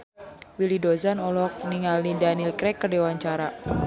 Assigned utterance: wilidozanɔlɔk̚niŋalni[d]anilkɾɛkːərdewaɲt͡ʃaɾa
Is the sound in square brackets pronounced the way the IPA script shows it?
yes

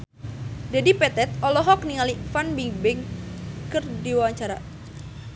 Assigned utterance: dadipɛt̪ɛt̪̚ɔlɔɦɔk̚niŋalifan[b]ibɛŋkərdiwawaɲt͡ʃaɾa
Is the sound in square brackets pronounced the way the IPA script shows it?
yes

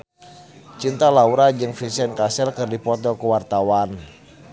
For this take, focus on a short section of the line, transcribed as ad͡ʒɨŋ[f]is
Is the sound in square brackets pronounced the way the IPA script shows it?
yes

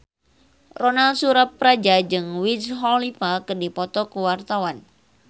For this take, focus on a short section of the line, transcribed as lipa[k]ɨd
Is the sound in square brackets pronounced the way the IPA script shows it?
yes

